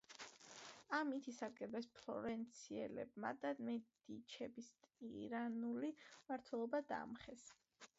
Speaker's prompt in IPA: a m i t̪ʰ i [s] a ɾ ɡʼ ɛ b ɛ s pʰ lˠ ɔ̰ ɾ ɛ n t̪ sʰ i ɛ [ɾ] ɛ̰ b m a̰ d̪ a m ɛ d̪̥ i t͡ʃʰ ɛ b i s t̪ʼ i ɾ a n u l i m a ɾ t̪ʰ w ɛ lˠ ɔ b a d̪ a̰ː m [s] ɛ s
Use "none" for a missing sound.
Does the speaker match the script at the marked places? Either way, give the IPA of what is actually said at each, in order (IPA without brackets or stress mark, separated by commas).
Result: s, l, χ